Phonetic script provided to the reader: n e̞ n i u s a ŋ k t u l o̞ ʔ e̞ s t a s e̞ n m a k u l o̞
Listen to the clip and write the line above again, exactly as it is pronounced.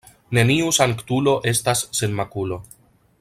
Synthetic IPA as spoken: n e̞ n i u s a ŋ k t u l o̞ ʔ e̞ s t a sː e̞ n m a k u l o̞